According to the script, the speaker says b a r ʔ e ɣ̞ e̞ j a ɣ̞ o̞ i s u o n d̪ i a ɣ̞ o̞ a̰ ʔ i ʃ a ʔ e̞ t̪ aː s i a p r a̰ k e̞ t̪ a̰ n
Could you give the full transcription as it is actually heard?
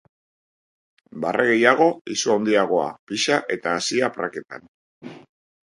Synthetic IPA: b a r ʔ e ɣ̞ e̞ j a ɣ̞ o̞ i s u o n d̪ i a ɣ̞ o̞ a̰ p i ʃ a ʔ e̞ t̪ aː s i a p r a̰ k e̞ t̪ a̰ n